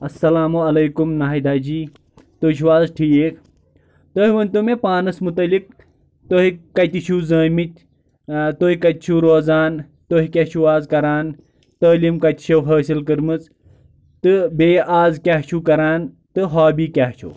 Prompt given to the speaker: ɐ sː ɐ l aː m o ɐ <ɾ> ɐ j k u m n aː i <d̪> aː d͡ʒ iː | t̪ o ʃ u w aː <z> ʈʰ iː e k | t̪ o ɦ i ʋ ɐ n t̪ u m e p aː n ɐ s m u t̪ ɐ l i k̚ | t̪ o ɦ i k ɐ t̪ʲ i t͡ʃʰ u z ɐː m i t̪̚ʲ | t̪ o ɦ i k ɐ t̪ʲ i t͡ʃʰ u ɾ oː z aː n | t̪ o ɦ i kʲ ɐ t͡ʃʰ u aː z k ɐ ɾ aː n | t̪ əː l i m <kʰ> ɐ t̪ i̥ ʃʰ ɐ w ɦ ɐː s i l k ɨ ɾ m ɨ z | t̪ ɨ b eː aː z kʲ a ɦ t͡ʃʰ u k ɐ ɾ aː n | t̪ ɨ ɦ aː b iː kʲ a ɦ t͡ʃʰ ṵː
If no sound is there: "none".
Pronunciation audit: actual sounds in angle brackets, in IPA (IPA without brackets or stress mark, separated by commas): l, d̪, z, k